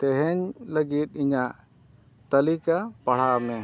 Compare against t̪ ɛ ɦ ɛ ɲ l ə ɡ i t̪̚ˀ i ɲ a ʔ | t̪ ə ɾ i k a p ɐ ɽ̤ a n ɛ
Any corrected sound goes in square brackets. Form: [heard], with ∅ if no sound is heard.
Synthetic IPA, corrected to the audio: t̪ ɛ ɦ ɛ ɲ l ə ɡ i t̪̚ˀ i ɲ a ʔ | t̪ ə [l] i k a p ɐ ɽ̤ a [m] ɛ